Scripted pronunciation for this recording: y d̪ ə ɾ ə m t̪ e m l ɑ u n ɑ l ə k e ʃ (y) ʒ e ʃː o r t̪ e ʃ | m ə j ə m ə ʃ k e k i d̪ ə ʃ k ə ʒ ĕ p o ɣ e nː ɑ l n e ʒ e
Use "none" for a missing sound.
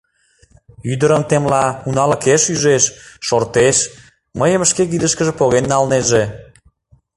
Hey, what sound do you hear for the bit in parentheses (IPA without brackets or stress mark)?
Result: y